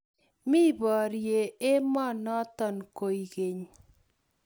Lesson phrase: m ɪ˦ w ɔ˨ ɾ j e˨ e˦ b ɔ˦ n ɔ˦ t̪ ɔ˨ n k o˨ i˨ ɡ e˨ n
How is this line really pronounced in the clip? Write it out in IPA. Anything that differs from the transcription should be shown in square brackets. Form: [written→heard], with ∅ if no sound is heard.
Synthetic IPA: m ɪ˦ [w→b] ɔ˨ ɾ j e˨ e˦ [b→m] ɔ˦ n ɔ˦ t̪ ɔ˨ n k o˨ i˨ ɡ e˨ [n→ɲ]